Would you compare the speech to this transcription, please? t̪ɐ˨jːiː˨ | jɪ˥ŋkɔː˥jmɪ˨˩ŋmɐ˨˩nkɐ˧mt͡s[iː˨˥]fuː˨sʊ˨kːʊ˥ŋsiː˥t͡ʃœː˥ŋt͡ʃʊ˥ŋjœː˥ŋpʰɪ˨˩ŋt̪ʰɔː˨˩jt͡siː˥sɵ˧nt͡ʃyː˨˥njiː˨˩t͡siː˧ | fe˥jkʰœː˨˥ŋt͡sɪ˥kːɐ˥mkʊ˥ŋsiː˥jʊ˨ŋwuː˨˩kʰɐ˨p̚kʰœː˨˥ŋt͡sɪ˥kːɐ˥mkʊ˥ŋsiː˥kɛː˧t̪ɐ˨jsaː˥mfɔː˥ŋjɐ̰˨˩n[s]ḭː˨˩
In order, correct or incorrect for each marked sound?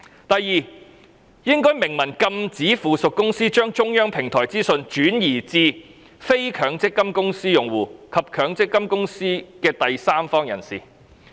correct, correct

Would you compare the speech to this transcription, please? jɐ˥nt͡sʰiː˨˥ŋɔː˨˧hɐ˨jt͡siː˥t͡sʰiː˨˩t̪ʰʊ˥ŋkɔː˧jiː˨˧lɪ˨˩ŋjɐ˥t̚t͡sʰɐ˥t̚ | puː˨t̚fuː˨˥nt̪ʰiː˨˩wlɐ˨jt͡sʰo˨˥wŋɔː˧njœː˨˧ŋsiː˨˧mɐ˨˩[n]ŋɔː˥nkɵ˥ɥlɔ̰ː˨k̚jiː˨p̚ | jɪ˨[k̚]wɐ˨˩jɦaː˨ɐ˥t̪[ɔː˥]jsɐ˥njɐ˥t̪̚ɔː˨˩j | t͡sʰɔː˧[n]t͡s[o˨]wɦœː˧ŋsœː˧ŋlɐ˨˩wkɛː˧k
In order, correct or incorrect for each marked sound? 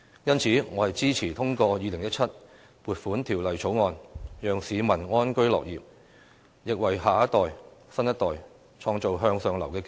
correct, correct, incorrect: ɔː˨, incorrect: ŋ, correct

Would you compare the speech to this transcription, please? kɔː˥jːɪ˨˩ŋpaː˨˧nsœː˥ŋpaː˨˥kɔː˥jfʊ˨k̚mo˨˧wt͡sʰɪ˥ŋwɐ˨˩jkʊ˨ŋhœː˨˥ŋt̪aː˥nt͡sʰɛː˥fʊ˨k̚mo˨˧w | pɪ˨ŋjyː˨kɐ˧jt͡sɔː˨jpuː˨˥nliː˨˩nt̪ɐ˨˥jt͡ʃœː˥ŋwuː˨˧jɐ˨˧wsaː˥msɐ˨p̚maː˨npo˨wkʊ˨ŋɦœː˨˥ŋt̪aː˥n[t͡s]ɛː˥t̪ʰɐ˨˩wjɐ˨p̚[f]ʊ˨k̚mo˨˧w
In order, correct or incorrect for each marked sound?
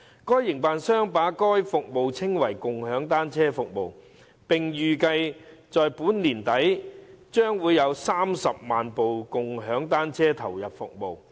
incorrect: t͡sʰ, correct

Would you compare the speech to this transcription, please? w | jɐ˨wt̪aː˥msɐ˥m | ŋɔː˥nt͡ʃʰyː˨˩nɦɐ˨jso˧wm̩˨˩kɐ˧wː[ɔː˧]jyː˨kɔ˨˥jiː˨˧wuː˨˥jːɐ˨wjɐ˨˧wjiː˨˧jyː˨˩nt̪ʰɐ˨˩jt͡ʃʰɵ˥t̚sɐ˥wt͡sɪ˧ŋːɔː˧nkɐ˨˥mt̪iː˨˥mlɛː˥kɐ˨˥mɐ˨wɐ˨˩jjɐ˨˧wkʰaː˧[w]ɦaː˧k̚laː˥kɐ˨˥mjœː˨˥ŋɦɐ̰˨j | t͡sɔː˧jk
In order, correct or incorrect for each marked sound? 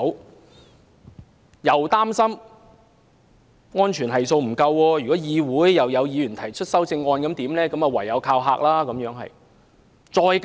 correct, correct

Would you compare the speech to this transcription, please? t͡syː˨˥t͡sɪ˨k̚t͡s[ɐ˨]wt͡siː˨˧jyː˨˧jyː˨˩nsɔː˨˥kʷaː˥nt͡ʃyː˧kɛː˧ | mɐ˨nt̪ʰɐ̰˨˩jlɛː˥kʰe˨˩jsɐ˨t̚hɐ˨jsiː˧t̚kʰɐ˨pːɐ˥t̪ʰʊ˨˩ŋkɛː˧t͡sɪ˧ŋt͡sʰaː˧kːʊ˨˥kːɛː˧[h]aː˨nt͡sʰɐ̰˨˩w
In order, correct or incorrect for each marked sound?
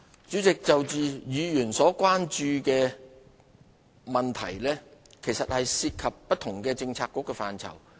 correct, incorrect: f

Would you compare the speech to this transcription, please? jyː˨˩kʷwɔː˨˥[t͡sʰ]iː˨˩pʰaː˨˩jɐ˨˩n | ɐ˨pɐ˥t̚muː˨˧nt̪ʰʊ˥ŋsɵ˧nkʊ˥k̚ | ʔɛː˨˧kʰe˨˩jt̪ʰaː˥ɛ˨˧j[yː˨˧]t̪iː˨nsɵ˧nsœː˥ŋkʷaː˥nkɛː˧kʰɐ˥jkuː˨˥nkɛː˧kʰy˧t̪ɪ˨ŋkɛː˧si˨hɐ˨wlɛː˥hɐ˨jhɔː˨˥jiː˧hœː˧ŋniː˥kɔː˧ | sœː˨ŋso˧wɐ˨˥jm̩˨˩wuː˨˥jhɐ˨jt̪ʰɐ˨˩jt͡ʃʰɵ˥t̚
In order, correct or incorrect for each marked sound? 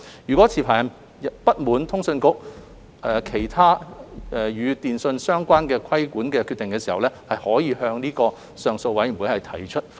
correct, correct

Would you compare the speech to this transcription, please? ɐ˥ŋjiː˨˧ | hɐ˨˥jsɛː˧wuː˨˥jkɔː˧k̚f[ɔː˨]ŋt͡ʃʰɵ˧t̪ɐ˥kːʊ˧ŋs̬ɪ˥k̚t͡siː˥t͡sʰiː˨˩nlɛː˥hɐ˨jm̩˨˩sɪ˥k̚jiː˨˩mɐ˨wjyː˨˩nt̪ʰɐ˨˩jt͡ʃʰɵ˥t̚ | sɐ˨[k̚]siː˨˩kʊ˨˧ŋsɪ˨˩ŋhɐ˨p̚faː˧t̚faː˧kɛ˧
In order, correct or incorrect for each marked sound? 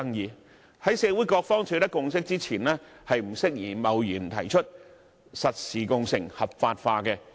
incorrect: ɔː˥, incorrect: t̚

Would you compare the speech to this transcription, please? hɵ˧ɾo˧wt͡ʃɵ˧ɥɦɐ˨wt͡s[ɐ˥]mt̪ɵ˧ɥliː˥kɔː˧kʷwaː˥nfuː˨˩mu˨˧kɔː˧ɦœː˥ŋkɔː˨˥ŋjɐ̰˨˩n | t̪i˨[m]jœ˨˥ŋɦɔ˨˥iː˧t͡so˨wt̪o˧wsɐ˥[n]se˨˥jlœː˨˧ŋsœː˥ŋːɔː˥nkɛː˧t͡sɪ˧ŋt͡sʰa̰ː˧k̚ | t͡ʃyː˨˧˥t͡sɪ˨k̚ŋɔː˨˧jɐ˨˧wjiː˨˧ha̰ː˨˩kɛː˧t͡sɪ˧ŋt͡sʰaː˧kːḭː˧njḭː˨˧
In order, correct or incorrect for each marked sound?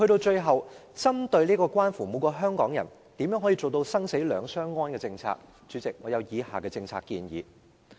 correct, correct, incorrect: ŋ

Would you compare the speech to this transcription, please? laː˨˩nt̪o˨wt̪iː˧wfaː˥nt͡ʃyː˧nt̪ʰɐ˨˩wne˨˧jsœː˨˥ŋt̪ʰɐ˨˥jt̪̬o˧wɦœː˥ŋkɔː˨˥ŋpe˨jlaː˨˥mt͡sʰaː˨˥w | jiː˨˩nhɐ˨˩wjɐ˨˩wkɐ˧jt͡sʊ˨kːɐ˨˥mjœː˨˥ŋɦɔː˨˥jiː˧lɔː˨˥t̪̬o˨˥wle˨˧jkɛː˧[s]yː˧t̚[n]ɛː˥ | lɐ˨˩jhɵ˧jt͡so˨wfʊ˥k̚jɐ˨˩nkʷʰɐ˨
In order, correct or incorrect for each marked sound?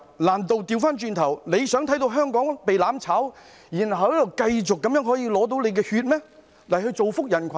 incorrect: h, incorrect: m

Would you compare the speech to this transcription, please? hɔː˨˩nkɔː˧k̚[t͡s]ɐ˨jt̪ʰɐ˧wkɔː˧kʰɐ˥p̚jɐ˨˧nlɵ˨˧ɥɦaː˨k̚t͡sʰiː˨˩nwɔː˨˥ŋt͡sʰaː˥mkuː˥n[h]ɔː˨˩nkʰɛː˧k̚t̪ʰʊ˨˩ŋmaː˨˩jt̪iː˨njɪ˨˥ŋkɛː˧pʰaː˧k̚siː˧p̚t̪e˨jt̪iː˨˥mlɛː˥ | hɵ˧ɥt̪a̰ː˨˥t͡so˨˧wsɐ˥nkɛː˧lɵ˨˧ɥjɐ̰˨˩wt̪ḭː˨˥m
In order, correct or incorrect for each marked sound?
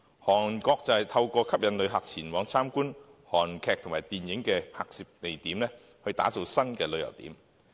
correct, correct

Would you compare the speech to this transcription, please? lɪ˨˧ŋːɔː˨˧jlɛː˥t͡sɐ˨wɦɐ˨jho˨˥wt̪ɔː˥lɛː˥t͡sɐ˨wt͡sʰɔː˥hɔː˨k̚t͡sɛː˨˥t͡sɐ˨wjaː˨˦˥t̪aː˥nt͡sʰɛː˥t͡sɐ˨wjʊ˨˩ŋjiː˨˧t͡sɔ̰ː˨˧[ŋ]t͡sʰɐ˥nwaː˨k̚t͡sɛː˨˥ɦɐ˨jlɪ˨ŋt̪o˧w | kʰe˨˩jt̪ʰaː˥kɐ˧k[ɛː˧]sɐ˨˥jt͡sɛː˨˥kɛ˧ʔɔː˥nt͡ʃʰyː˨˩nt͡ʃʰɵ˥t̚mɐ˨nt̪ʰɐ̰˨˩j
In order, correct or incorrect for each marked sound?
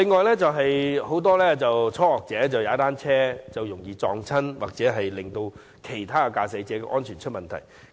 correct, incorrect: aː˧

